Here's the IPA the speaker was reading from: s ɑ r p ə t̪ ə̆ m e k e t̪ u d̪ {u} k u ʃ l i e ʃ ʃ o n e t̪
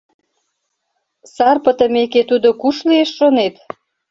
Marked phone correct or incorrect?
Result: incorrect